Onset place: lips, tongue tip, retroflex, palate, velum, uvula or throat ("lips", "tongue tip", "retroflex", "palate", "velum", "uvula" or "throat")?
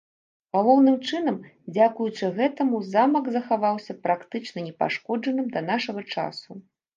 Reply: velum